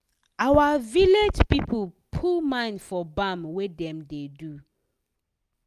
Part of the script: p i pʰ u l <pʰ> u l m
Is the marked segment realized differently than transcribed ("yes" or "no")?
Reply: no